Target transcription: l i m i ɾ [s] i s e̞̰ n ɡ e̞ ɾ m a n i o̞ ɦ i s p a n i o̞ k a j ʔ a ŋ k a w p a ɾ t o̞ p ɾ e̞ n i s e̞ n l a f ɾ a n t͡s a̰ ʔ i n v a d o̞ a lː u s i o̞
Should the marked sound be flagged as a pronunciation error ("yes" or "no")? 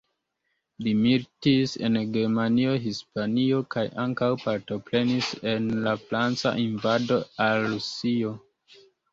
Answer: yes